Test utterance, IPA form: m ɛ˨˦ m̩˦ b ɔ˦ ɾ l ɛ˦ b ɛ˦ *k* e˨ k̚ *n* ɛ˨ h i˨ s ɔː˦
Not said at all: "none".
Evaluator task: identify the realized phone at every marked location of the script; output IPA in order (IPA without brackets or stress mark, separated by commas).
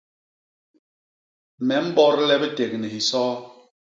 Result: t, n